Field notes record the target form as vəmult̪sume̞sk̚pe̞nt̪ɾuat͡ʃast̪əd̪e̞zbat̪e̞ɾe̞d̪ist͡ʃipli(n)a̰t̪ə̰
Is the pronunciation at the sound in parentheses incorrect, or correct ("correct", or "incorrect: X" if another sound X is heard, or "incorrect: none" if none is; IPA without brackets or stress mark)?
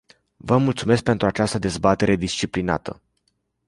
correct